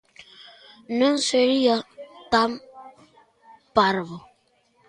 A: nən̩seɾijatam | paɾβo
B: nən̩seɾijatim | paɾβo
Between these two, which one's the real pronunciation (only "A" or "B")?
A